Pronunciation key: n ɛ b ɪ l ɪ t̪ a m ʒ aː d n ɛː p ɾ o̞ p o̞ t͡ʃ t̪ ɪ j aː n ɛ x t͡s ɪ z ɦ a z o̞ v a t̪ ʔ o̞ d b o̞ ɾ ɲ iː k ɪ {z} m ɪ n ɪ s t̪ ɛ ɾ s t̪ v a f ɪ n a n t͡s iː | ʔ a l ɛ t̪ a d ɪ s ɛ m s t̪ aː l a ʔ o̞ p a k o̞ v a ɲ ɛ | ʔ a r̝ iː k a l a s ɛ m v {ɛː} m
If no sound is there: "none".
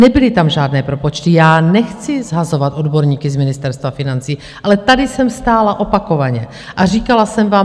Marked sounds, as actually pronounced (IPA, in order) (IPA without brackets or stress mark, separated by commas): z, aː